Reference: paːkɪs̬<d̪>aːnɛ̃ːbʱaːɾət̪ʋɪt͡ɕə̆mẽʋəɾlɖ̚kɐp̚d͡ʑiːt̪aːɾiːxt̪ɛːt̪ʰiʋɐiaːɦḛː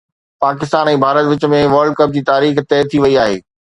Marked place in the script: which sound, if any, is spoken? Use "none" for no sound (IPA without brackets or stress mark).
t̪